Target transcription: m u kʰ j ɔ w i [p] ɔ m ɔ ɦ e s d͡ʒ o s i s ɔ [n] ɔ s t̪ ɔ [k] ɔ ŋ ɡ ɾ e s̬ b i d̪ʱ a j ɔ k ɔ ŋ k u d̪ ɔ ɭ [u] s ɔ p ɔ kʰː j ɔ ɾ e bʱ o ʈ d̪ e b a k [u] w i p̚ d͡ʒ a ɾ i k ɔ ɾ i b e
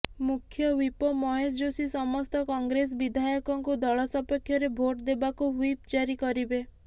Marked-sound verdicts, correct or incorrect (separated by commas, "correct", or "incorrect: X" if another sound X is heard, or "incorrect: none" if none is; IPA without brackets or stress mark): correct, incorrect: m, correct, incorrect: ɔ, correct